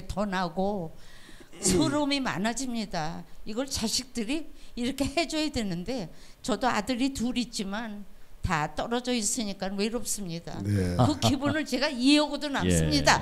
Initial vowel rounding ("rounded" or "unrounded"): unrounded